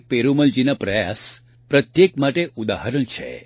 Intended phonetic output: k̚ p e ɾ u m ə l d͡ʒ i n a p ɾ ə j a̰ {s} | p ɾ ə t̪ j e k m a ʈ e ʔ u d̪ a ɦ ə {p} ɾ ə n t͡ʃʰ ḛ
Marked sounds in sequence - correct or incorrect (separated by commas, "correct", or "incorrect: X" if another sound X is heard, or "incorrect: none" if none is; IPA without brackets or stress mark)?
correct, incorrect: none